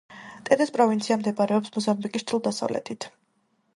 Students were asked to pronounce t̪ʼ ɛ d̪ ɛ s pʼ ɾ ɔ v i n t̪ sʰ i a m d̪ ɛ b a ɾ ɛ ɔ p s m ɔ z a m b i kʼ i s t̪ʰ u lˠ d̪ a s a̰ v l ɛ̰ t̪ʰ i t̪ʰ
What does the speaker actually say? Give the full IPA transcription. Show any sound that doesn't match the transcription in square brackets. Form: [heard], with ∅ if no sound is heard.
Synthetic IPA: t̪ʼ ɛ d̪ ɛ s pʼ ɾ ɔ v i n t̪ sʰ i a m d̪ ɛ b a ɾ ɛ ɔ p s m ɔ z a m b i kʼ i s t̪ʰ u lˠ d̪ a s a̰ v l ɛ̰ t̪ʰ i t̪ʰ